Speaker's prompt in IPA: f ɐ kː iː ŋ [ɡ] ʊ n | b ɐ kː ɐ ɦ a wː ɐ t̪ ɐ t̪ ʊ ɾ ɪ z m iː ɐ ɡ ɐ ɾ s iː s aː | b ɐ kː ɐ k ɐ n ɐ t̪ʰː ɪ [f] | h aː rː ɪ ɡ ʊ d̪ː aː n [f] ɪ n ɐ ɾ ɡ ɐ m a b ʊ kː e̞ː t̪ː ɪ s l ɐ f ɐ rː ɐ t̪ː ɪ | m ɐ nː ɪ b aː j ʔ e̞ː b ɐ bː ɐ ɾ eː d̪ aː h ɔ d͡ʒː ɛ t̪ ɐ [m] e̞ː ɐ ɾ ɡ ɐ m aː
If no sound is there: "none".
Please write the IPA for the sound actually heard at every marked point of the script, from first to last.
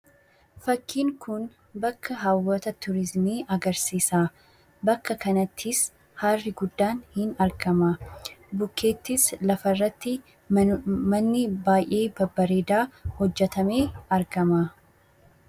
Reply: k, s, h, m

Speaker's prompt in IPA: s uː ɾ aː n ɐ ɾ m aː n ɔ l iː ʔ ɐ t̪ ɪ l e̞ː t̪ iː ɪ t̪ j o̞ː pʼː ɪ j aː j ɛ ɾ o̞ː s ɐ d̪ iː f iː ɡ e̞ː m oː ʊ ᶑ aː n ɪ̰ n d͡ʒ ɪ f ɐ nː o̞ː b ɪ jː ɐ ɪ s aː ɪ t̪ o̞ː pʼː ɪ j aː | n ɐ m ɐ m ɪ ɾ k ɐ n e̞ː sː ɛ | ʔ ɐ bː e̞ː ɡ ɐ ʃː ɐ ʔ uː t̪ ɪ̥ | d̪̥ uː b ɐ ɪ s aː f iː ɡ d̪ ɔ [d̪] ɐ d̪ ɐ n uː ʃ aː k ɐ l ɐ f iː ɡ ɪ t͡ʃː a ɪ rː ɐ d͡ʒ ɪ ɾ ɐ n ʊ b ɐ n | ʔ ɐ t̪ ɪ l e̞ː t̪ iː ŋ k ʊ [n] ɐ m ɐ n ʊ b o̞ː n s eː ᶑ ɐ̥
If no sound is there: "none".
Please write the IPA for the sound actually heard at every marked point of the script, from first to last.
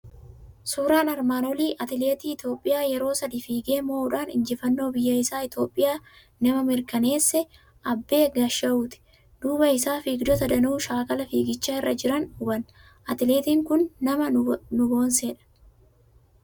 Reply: t̪, nː

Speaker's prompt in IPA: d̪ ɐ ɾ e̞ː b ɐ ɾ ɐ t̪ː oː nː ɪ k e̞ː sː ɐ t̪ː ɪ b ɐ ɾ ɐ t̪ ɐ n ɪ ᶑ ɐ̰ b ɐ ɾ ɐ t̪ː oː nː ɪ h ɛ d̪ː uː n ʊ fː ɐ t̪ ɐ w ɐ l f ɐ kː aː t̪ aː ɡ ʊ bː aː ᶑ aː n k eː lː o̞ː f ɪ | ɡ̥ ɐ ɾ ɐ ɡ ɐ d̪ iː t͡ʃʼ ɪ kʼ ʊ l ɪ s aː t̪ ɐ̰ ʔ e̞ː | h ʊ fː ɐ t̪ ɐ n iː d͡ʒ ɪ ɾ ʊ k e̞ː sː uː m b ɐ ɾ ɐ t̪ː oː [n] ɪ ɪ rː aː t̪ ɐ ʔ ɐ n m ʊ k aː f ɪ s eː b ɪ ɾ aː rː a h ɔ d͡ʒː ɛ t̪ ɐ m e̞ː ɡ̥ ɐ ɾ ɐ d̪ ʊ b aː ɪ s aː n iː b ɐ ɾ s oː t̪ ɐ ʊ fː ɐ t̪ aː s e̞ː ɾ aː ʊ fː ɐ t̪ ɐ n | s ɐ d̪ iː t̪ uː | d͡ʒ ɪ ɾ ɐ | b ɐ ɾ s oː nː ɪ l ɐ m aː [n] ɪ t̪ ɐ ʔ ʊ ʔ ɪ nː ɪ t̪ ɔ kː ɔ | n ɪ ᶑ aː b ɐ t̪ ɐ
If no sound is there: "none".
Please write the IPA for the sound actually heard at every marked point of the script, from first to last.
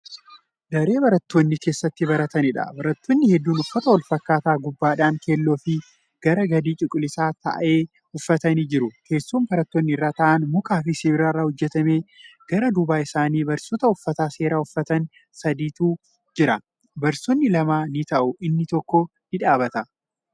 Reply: nː, n

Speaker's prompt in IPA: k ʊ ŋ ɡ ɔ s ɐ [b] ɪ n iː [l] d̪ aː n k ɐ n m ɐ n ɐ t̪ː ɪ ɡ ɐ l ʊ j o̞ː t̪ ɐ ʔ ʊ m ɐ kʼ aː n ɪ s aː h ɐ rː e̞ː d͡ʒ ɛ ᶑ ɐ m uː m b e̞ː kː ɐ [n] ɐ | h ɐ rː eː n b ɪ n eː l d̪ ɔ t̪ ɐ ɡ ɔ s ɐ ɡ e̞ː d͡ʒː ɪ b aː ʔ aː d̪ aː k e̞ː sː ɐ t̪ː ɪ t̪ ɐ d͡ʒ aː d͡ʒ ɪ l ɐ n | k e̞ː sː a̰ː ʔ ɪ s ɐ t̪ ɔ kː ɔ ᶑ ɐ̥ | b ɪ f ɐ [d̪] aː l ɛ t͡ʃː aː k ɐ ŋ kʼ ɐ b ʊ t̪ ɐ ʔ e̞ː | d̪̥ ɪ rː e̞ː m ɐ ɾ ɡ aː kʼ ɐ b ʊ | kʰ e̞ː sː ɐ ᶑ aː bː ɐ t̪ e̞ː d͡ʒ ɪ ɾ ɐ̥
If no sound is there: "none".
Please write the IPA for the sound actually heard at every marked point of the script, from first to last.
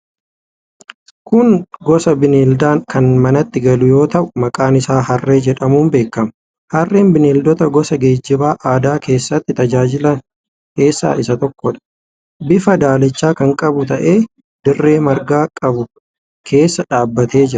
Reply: b, l, m, d̪

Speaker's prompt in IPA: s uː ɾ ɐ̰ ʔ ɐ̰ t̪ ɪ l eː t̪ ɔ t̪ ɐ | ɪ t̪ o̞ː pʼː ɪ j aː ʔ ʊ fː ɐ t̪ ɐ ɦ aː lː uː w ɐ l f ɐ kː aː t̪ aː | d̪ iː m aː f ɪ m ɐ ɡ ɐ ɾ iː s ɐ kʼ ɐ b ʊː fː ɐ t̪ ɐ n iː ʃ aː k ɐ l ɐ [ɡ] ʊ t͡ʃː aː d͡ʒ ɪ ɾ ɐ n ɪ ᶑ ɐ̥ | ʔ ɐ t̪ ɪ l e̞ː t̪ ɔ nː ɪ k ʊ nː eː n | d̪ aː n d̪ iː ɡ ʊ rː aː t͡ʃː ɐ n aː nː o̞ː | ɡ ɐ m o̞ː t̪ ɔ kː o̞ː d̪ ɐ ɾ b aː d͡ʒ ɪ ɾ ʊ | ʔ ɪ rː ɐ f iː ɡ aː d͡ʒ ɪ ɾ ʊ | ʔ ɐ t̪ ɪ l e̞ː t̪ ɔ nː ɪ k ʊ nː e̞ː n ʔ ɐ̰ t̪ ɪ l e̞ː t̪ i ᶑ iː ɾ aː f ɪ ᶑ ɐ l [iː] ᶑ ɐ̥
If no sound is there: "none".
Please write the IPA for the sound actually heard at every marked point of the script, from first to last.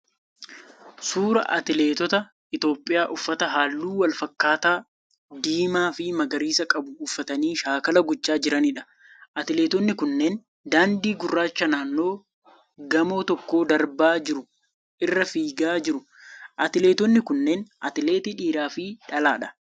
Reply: ɡ, aː

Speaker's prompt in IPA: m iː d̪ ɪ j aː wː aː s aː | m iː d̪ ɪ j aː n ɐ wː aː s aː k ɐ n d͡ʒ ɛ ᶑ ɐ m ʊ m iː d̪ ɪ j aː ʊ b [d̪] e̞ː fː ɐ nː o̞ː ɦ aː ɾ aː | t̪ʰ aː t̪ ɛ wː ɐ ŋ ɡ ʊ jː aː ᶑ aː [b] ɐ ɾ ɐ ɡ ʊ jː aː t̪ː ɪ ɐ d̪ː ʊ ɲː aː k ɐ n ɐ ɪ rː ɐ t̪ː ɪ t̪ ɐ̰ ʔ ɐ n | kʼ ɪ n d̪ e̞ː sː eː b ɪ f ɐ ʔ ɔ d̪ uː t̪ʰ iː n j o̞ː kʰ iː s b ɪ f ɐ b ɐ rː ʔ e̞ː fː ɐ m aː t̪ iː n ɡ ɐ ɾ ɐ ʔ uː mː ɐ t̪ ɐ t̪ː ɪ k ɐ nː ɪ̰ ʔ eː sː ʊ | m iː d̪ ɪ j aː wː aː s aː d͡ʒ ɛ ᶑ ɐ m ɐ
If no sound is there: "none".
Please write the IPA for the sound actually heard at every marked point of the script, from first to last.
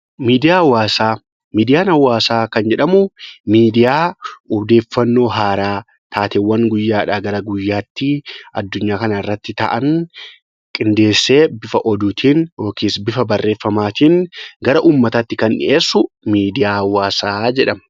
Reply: d̪, ɡ

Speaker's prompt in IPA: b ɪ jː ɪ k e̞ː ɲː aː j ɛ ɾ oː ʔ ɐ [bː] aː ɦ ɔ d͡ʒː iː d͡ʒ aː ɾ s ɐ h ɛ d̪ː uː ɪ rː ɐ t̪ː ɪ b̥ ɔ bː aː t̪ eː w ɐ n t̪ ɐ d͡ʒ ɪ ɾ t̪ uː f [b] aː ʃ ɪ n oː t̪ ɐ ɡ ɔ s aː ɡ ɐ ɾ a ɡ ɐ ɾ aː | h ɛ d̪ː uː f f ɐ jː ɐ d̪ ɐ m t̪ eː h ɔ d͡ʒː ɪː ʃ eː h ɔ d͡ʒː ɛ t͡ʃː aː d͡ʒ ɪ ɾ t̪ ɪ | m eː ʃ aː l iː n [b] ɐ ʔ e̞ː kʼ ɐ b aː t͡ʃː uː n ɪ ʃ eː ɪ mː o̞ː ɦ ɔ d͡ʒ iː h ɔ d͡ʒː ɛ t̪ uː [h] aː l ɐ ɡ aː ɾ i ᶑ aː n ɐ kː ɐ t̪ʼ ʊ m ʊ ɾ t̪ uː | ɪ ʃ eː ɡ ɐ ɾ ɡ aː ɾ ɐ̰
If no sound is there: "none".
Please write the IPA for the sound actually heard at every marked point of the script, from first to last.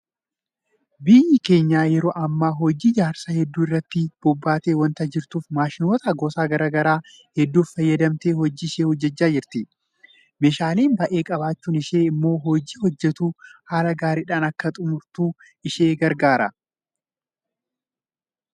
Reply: mː, m, b, h

